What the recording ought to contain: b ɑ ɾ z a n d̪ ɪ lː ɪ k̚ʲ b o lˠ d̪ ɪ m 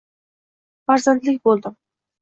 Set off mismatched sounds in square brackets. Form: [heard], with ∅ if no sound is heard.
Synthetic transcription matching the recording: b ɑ ɾ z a n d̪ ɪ [l] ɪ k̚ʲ b o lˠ d̪ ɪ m